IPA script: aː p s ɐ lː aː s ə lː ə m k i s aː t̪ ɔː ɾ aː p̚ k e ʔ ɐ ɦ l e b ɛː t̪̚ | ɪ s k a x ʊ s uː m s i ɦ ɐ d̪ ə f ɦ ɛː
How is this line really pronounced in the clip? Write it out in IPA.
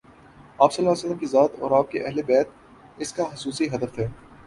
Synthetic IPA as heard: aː p s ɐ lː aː s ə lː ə m k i z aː t̪ ɔː ɾ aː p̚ k e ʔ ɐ ɦ l e b ɛː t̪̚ | ɪ s k a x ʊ s uː s i ɦ ɐ d̪ ə f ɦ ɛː